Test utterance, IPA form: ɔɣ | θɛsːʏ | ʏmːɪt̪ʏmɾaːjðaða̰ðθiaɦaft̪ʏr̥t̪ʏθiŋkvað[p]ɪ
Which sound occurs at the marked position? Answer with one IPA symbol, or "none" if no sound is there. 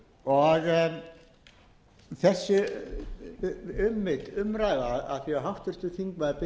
p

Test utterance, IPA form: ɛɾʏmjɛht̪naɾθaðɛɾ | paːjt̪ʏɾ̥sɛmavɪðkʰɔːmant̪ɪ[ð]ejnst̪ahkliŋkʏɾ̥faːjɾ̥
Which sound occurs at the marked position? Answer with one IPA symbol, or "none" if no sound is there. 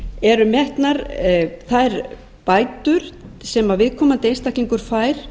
none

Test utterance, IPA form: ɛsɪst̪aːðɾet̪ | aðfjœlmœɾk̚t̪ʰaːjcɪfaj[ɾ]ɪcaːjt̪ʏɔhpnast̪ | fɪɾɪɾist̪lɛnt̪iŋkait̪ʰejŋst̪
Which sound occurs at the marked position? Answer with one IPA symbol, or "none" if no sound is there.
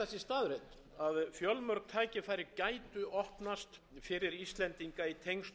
ɾ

